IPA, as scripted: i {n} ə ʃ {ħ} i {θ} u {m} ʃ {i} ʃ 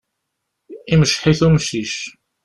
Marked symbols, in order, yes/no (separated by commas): no, yes, yes, yes, yes